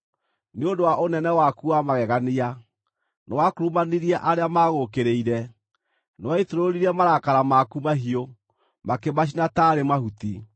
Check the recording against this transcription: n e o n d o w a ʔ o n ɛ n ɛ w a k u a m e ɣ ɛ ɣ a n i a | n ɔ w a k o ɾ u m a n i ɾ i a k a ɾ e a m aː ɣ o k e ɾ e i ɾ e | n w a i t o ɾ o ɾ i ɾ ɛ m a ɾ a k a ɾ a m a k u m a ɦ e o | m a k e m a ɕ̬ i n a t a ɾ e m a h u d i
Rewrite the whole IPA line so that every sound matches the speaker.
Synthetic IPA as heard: n e o n d o w a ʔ o n ɛ n ɛ w a k u a m a ɣ ɛ ɣ a n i a | n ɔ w a k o ɾ u m a n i ɾ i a ʔ a ɾ e a m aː ɣ o k e ɾ e i ɾ ɛ | n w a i t o ɾ o ɾ i ɾ ɛ m a ɾ a k a ɾ a m a k u m a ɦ i o | m a k e m a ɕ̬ i n a t a ɾ e m a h u t i